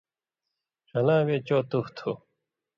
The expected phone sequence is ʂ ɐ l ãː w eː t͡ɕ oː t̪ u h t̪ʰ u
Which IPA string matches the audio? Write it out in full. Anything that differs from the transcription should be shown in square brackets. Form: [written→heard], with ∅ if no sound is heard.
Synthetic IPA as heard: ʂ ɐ l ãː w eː t͡ɕ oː t̪ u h t̪ʰ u